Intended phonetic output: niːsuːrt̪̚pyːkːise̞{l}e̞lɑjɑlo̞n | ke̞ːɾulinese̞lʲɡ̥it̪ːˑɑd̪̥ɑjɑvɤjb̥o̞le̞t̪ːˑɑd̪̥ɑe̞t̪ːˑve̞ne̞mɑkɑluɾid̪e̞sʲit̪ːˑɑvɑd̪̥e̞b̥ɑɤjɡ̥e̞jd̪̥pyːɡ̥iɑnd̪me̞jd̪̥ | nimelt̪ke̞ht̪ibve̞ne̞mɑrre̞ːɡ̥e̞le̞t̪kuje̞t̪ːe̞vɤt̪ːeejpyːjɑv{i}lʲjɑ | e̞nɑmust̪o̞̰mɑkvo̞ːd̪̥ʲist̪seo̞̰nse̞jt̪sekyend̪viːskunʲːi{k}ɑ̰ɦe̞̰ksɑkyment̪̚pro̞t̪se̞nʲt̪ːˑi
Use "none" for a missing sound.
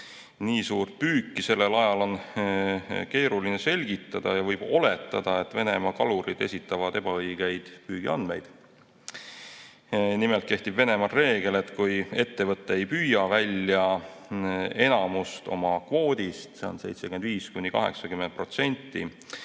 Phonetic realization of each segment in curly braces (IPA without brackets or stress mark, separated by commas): lː, æ, k